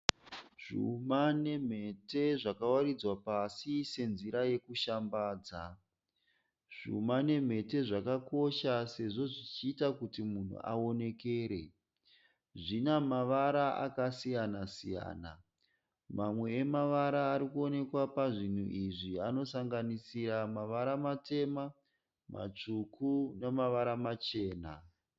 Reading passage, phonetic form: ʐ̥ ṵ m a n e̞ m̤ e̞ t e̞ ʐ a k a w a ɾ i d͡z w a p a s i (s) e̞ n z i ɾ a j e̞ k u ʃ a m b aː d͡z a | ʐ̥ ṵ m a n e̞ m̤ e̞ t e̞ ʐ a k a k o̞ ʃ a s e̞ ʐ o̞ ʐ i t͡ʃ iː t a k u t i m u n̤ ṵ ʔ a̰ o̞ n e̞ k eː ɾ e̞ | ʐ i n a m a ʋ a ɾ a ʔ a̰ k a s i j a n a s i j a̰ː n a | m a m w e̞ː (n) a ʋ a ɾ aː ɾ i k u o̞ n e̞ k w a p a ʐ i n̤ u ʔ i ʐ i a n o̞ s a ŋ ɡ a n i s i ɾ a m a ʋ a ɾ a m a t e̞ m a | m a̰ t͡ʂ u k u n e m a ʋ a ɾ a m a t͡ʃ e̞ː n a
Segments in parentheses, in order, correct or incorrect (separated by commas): correct, incorrect